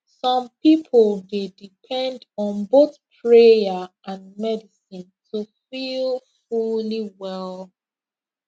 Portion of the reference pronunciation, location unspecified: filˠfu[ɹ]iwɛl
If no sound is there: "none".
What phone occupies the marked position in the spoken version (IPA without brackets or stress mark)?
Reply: l